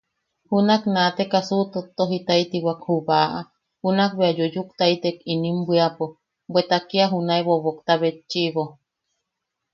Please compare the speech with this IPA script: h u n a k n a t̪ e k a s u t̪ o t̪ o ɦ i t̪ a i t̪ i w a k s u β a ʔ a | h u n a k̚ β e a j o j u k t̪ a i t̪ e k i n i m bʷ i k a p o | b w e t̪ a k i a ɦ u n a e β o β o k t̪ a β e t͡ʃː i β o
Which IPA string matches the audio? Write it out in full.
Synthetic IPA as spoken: h u n a k n a t̪ e k a s u t̪ o t̪ o ɦ i t̪ a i t̪ i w a k h u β a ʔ a | h u n a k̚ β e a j o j u k t̪ a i t̪ e k i n i m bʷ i a p o | b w e t̪ a k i a ɦ u n a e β o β o k t̪ a β e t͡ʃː i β o